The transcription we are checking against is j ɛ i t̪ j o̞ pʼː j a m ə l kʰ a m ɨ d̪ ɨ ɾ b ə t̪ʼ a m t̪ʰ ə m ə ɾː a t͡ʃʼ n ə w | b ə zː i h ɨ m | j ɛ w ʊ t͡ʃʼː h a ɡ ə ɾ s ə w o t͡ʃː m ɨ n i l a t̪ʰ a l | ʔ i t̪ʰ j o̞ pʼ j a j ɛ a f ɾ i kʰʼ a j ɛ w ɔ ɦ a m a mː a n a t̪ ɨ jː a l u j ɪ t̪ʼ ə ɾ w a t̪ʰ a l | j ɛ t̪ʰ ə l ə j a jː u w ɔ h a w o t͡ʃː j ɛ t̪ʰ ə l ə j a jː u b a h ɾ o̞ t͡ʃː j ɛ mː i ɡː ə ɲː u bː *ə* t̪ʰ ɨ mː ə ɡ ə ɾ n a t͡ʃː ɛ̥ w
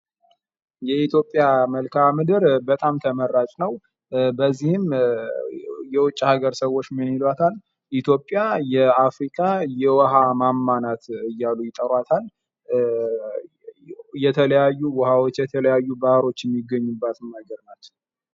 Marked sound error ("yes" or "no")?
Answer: yes